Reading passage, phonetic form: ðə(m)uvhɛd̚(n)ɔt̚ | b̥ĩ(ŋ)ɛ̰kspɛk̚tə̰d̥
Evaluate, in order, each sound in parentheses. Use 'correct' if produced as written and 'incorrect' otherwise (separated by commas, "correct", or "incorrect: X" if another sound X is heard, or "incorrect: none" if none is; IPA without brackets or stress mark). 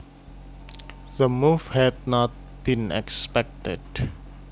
correct, correct, incorrect: n